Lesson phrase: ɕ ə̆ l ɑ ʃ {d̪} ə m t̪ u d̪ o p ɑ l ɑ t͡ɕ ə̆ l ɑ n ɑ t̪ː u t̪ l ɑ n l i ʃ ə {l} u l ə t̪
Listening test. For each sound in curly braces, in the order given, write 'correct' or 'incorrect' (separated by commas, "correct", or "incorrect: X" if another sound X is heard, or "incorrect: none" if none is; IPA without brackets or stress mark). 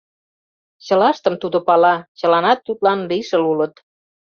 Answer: incorrect: t̪, correct